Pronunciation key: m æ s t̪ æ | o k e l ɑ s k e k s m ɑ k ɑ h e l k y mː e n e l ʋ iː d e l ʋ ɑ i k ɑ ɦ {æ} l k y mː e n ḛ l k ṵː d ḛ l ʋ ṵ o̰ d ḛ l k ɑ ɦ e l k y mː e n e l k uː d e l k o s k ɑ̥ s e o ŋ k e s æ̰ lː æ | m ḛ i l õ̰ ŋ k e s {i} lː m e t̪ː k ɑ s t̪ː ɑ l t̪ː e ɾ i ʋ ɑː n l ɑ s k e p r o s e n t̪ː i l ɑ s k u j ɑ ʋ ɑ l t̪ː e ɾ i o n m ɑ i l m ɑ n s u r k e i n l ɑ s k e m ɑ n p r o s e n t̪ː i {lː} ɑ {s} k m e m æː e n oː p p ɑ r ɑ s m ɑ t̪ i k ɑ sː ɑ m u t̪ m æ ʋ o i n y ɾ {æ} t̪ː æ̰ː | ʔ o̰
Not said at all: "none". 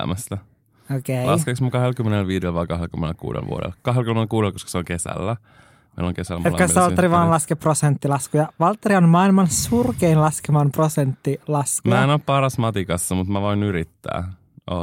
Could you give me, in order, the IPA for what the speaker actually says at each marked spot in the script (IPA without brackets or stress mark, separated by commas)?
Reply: e, æ, l, s, i